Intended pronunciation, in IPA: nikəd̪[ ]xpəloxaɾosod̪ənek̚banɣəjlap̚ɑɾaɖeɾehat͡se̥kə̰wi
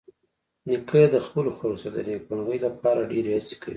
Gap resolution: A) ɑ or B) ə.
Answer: B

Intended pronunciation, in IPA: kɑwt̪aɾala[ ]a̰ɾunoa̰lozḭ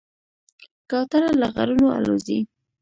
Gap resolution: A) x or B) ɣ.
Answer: B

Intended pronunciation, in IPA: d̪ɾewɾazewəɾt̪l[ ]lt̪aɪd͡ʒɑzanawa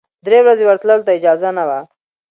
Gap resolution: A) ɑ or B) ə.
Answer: B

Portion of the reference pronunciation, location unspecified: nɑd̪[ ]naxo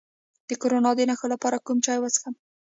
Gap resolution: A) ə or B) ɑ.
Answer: A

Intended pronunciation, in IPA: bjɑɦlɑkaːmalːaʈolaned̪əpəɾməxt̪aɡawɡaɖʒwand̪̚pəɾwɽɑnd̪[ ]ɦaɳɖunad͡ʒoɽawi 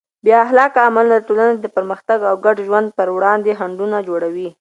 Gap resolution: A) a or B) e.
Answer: B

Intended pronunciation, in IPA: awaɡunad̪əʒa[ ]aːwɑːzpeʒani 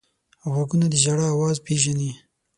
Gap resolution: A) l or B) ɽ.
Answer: B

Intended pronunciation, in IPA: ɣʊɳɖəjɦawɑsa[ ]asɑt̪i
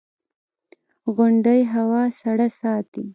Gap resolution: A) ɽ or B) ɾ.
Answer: A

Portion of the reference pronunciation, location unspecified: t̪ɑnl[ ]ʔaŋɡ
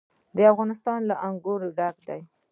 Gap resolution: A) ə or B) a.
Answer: B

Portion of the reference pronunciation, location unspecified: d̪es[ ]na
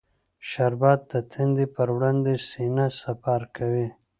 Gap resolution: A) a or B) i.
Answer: B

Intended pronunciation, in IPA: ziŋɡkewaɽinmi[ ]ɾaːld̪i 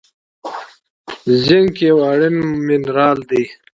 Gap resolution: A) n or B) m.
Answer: A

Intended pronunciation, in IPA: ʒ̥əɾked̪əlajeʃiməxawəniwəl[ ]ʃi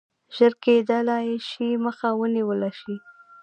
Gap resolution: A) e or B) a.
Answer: B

